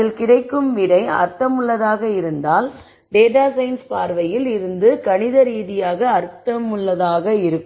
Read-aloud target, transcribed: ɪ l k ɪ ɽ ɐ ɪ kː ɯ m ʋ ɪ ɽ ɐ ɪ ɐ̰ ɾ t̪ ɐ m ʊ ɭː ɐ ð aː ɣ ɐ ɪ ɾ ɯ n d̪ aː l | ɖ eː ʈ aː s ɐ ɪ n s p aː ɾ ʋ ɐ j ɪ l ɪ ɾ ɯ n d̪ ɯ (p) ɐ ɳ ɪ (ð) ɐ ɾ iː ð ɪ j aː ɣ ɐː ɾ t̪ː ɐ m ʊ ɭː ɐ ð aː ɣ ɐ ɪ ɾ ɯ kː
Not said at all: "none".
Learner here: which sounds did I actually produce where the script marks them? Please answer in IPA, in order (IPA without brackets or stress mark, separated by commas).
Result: k, ð